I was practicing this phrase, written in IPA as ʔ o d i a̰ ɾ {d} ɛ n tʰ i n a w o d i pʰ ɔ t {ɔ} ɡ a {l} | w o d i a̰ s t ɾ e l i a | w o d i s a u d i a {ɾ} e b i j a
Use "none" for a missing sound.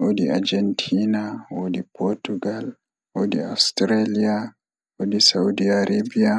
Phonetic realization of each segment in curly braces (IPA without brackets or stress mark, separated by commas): d͡ʒ, u, l, ɾ